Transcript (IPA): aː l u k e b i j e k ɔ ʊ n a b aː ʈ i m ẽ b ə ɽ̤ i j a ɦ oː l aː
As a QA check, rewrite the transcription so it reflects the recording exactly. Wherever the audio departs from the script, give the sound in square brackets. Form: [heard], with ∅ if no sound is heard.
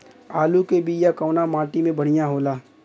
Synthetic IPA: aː l u k e b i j [a] k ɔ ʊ n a [m] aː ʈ i m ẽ b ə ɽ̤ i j a ɦ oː l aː